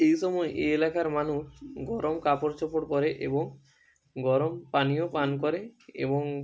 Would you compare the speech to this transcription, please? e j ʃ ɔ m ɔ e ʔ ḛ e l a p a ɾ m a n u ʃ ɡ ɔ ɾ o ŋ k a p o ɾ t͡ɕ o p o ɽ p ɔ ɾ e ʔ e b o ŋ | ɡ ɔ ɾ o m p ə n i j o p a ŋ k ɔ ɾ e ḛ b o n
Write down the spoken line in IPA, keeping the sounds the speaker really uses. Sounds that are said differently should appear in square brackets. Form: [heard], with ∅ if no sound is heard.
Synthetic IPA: e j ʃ ɔ m ɔ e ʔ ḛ e l a [k] a ɾ m a n u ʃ ɡ ɔ ɾ o [m] k a p o ɾ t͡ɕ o p o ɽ p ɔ ɾ e ʔ e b o ŋ | ɡ ɔ ɾ o m p [a] n i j o p a [n] k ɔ ɾ e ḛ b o [ŋ]